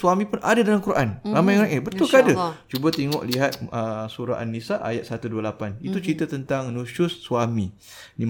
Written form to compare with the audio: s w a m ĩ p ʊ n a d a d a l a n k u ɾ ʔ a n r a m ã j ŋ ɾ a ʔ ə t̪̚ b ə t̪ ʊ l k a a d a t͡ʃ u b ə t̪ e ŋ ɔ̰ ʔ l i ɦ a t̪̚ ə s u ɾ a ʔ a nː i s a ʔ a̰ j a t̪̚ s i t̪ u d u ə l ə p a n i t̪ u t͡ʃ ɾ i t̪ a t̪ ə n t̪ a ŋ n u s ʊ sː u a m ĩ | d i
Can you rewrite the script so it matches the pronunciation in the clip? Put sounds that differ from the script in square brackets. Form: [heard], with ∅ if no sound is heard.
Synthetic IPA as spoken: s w a m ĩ p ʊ n a d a d a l a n k u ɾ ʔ a n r a m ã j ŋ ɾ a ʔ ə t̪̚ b ə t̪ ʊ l k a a d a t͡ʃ u b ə t̪ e ŋ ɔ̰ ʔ l i ɦ a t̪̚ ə s u ɾ a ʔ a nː i s a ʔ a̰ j a t̪̚ s [a] t̪ u d u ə l [a] p a n i t̪ u t͡ʃ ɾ i t̪ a t̪ ə n t̪ a ŋ n u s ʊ sː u a m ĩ | d i